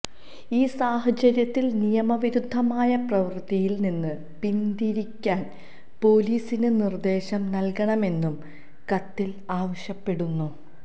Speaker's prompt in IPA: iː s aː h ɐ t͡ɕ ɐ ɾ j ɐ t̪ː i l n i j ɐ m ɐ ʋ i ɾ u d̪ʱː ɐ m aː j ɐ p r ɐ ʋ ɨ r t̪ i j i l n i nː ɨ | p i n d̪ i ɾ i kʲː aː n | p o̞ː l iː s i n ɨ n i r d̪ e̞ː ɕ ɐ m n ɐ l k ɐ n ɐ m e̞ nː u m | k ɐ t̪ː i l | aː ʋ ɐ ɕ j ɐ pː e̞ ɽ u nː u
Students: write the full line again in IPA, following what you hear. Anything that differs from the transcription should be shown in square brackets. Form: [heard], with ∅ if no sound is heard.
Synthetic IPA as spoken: iː s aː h ɐ t͡ɕ ɐ ɾ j ɐ t̪ː i l n i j ɐ m ɐ ʋ i ɾ u d̪ʱː ɐ m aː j ɐ p r ɐ ʋ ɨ r t̪ i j i l n i nː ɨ | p i n d̪ i ɾ i kʲː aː n | p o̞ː l iː s i n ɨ n i r d̪ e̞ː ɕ ɐ m n ɐ l k ɐ [ɳ] ɐ m e̞ nː u m | k ɐ t̪ː i l | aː ʋ ɐ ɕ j ɐ pː e̞ ɽ u nː u